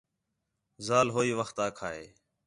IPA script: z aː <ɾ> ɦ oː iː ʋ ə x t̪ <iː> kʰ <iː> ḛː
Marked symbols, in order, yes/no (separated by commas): no, no, no